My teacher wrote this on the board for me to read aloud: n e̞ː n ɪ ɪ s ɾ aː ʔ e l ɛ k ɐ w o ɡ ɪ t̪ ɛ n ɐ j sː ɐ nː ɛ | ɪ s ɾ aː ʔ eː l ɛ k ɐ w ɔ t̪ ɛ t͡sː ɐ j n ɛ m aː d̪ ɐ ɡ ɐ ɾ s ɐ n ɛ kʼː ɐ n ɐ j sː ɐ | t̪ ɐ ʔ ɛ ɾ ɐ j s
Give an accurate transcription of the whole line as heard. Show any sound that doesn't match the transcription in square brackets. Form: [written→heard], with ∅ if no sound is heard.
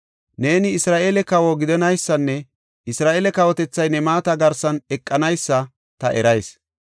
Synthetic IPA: n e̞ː n ɪ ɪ s ɾ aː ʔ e l ɛ k ɐ w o ɡ ɪ [t̪→d̪] ɛ n ɐ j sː ɐ nː ɛ | ɪ s ɾ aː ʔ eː l ɛ k ɐ w ɔ t̪ ɛ t͡sː ɐ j n ɛ m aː [d̪→t̪] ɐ ɡ ɐ ɾ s ɐ n ɛ kʼː ɐ n ɐ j sː ɐ | t̪ ɐ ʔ ɛ ɾ ɐ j s